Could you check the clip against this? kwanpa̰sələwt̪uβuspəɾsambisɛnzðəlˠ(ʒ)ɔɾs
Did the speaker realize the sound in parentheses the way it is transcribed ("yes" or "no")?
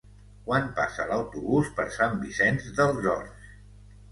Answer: no